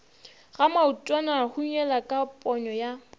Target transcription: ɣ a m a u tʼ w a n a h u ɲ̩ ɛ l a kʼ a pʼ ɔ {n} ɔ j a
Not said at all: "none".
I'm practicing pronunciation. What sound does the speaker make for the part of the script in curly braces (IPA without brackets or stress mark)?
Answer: ɲ